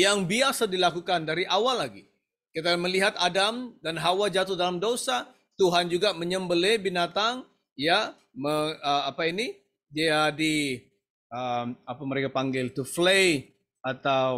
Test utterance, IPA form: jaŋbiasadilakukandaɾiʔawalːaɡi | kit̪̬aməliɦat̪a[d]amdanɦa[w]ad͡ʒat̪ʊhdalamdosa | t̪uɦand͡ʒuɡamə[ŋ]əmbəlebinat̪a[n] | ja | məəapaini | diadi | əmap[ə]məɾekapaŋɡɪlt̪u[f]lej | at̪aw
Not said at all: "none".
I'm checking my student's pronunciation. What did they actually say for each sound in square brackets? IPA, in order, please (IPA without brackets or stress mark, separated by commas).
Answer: d, w, ɲ, ŋ, a, f